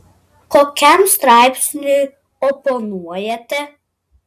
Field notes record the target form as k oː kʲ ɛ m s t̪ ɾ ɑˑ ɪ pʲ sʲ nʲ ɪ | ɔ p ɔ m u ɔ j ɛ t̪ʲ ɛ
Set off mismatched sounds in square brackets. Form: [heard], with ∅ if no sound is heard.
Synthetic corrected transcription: k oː kʲ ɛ m s t̪ ɾ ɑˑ ɪ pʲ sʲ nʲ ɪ | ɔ p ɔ [n] u ɔ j ɛ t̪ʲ ɛ